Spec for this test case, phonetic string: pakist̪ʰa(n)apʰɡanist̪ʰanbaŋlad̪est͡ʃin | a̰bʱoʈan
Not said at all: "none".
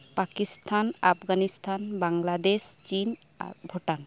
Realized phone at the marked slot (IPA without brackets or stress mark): n